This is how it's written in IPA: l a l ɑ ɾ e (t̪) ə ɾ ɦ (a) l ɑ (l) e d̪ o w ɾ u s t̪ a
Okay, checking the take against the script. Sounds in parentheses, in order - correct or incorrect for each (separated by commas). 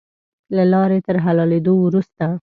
correct, correct, correct